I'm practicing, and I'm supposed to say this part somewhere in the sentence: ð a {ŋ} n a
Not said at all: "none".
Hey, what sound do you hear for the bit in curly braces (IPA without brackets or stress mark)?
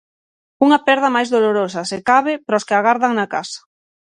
ŋ